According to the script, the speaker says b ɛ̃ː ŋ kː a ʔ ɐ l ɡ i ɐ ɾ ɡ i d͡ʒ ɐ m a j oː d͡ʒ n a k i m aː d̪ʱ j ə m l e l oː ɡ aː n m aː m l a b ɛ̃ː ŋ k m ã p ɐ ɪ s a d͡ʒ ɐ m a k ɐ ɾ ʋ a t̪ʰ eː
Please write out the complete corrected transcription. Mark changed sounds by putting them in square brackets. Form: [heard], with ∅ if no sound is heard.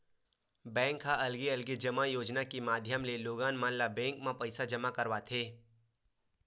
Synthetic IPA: b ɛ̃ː ŋ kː a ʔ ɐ l ɡ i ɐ [l] ɡ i d͡ʒ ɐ m a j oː d͡ʒ n a k i m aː d̪ʱ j ə m l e l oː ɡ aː n m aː [n] l a b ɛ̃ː ŋ k m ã p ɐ ɪ s a d͡ʒ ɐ m a k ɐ ɾ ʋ a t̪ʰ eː